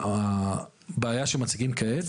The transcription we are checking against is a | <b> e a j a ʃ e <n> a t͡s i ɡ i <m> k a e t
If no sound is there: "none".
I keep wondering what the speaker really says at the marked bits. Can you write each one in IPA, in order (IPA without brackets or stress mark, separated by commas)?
b, m, m